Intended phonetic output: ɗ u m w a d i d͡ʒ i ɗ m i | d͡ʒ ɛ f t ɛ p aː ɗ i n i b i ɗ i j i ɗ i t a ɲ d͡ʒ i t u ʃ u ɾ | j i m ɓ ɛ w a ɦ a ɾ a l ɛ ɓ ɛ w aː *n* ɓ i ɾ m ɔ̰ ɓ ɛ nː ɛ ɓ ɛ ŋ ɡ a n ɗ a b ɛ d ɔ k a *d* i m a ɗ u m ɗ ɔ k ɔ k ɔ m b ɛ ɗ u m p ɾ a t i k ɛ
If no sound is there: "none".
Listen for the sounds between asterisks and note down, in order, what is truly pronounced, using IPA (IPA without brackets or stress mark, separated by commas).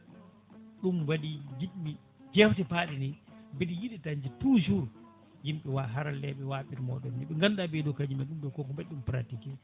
none, d͡ʒ